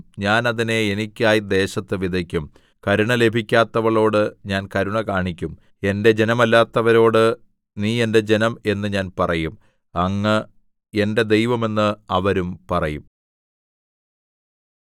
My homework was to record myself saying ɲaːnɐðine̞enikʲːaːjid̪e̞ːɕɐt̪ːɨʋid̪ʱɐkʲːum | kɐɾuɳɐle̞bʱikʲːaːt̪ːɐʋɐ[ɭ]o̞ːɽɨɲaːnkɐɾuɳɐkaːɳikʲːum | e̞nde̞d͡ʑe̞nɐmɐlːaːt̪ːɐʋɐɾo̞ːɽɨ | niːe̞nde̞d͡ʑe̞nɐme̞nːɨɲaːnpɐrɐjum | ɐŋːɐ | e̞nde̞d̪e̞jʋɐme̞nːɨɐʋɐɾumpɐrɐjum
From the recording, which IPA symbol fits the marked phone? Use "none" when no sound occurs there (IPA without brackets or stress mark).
ɭ